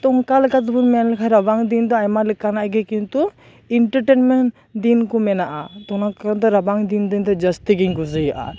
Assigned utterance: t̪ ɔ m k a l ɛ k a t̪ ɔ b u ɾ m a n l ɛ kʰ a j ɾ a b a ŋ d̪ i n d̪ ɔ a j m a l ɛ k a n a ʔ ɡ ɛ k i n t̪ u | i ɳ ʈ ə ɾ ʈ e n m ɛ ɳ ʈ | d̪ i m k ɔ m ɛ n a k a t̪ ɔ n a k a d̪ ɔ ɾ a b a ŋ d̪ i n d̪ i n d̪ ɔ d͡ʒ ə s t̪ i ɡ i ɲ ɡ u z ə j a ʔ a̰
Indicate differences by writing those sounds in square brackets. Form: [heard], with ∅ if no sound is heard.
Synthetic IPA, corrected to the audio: t̪ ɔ [ŋ] k a l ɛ k a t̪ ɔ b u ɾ m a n l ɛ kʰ a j ɾ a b a ŋ d̪ i n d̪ ɔ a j m a l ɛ k a n a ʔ ɡ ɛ k i n t̪ u | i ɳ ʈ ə ɾ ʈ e n m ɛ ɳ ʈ | d̪ i [n] k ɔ m ɛ n a [ʔ] a t̪ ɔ n a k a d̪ ɔ ɾ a b a ŋ d̪ i n d̪ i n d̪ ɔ d͡ʒ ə s t̪ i ɡ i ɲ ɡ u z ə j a ʔ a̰